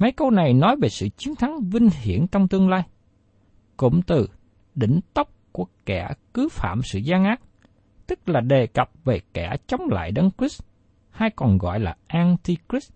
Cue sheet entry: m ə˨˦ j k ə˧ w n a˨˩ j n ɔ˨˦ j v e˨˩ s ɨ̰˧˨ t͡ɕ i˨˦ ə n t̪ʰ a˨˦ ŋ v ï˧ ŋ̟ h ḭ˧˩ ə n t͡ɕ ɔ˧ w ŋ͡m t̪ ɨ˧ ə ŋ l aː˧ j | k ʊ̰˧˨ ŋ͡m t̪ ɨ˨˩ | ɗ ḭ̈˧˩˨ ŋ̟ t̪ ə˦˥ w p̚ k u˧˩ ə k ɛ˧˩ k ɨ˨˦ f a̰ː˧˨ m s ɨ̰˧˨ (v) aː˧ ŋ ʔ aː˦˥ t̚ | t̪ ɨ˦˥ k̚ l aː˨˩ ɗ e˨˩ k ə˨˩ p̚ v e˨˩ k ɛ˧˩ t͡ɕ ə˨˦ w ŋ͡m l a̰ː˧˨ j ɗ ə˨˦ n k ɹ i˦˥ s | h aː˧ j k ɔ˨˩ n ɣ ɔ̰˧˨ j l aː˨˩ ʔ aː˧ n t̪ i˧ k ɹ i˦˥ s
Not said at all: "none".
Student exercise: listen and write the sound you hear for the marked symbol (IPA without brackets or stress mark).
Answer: z